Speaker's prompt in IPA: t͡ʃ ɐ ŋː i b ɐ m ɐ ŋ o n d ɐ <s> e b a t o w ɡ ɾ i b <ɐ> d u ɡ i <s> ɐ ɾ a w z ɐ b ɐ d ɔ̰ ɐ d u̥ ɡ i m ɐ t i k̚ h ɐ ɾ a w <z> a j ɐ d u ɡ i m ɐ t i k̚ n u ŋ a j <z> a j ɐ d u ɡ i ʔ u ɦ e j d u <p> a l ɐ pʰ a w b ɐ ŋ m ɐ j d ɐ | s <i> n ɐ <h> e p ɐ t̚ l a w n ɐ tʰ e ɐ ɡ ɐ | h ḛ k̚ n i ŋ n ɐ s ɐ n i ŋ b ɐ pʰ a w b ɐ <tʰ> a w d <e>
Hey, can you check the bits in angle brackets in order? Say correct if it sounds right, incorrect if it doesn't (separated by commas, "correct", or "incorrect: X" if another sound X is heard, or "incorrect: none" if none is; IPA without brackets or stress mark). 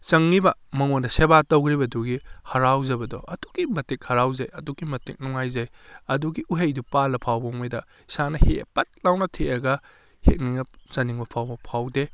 correct, correct, incorrect: h, correct, correct, correct, incorrect: a, correct, incorrect: pʰ, correct